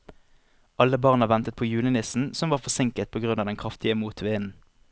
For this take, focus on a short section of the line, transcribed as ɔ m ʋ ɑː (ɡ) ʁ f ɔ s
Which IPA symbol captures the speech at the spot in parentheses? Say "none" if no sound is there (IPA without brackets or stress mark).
none